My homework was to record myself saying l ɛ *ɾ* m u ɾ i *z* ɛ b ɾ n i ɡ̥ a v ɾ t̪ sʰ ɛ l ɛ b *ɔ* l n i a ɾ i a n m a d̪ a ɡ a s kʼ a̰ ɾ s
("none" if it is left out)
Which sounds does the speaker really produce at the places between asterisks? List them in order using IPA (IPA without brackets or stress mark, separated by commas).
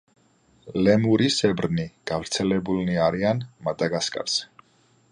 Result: none, s, u